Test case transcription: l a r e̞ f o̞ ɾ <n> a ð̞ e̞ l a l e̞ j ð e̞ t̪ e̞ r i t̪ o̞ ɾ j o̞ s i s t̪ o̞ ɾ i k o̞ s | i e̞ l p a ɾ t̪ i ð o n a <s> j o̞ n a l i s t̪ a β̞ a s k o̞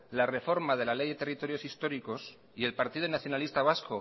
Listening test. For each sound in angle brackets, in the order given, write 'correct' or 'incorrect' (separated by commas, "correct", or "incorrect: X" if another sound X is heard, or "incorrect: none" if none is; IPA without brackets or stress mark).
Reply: incorrect: m, incorrect: θ